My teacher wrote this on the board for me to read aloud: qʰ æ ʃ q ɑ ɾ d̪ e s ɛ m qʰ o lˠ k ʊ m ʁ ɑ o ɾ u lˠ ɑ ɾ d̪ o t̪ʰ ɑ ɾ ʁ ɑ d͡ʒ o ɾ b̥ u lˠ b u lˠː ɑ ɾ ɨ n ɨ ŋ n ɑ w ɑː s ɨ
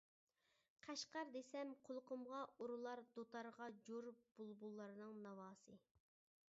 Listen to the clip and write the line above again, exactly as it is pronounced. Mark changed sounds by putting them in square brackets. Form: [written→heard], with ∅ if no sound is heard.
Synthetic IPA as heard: qʰ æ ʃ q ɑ ɾ d̪ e s ɛ m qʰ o lˠ [k→q] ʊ m ʁ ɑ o ɾ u lˠ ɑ ɾ d̪ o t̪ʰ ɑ ɾ ʁ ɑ d͡ʒ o ɾ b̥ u lˠ b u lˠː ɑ ɾ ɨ n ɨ ŋ n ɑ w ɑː s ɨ